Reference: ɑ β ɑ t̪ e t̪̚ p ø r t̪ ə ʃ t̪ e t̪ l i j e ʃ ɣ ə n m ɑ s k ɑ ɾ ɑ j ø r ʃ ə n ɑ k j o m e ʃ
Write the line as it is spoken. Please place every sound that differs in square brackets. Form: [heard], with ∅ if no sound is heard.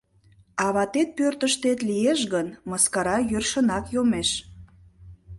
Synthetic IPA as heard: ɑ β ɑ t̪ e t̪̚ p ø r t̪ ə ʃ t̪ e t̪ l i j e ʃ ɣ ə n m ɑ s k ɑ ɾ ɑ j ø r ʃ ə n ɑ k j o m e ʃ